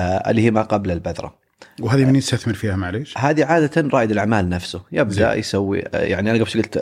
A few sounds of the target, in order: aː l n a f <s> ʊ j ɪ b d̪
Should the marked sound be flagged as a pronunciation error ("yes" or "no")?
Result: no